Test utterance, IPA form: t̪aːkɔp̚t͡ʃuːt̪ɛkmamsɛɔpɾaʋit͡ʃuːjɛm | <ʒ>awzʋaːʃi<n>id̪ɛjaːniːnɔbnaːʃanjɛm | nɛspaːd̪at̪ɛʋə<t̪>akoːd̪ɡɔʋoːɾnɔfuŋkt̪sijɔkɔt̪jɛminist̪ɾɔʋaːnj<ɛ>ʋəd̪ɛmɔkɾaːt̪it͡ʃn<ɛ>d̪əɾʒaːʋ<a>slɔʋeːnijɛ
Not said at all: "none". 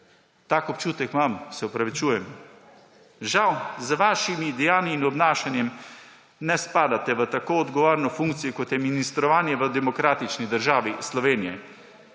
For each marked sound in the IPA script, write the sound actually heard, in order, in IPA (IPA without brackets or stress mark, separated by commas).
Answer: ʒ, m, t̪, ɛ, i, i